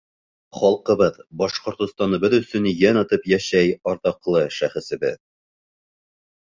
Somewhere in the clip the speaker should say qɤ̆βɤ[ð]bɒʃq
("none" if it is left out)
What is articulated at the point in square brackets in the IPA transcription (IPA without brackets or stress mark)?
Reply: ð